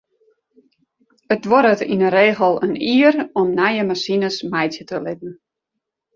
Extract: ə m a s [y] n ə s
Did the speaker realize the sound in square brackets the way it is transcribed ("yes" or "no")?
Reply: no